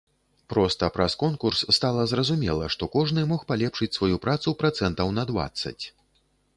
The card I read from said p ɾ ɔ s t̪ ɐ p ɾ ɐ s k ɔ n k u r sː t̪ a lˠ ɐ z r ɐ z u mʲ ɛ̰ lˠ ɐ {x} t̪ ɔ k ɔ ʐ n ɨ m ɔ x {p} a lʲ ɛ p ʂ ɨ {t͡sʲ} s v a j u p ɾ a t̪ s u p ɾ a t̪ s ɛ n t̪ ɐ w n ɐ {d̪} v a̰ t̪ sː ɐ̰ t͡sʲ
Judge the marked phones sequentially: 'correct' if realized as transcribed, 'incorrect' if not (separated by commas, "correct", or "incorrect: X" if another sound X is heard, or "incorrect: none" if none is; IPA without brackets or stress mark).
incorrect: ʂ, correct, correct, correct